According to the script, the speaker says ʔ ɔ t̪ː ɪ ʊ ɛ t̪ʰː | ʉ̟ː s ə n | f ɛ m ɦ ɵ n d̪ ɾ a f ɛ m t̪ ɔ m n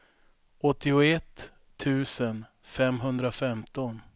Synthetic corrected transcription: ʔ ɔ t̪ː ɪ ʊ ɛ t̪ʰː | ʉ̟ː s ə n | f ɛ m ɦ ɵ n d̪ ɾ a f ɛ m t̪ ɔ n